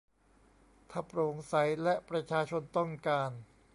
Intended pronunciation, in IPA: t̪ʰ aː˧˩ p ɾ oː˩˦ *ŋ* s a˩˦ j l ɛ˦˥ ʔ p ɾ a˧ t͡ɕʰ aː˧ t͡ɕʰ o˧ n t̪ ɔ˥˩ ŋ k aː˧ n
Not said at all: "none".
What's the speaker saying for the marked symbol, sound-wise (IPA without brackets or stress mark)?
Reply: ŋ